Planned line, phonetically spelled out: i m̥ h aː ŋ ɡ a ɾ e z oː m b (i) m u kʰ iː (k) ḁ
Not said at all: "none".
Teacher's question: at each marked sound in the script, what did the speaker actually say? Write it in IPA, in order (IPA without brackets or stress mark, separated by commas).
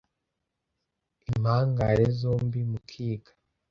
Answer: i, ɡ